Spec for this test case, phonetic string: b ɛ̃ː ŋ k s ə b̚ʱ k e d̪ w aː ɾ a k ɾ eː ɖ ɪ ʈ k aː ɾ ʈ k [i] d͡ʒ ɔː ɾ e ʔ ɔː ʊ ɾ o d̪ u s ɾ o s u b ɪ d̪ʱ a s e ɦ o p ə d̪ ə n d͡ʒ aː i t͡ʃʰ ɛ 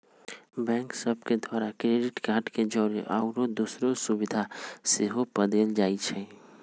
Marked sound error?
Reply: yes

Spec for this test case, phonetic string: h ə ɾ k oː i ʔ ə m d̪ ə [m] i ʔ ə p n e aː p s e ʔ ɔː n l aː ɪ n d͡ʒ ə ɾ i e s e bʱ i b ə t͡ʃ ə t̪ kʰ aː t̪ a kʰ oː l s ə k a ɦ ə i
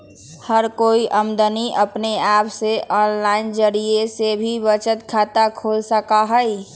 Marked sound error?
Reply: yes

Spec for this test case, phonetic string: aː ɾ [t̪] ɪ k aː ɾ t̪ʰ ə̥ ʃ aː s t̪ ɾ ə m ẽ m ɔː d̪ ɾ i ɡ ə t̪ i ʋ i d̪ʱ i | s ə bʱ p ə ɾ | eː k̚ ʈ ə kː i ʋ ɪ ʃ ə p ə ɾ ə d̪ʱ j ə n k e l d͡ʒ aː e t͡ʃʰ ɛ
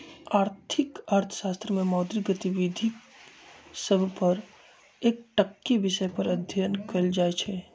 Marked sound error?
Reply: yes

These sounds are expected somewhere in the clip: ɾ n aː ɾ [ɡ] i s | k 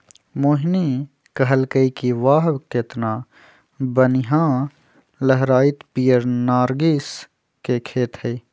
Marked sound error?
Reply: no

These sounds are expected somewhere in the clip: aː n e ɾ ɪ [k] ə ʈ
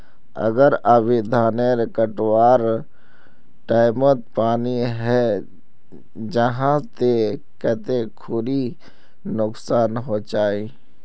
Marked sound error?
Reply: no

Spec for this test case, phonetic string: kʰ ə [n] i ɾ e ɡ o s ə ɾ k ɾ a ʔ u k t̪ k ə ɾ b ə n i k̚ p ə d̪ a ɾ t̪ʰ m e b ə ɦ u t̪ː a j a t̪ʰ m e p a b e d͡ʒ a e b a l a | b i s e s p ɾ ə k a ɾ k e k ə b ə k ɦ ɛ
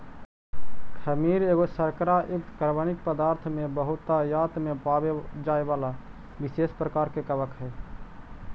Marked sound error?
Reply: yes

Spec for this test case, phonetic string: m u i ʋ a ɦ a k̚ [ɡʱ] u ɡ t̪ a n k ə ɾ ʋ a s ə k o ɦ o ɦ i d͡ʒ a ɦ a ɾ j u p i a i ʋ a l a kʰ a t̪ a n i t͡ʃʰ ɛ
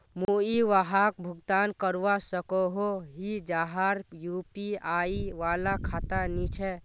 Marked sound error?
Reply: yes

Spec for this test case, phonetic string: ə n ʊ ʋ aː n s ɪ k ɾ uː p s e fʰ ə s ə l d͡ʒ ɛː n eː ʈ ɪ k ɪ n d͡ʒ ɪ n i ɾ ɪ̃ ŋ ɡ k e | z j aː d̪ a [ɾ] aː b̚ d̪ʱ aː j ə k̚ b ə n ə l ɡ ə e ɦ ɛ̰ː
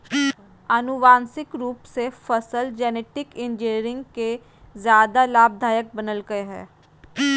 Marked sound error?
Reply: yes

